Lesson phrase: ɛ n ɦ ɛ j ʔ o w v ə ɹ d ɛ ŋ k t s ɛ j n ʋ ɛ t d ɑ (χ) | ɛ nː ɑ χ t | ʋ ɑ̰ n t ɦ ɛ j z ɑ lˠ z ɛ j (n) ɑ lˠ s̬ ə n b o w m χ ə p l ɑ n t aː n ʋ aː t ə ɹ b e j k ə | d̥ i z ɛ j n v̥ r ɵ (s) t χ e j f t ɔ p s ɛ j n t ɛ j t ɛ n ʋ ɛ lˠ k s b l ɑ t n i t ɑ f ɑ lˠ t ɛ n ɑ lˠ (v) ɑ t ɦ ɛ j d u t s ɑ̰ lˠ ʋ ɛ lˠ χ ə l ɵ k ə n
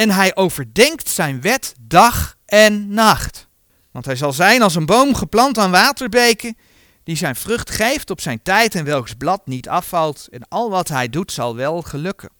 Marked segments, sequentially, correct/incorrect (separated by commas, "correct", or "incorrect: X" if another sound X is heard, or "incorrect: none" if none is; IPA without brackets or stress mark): correct, correct, incorrect: χ, incorrect: ʋ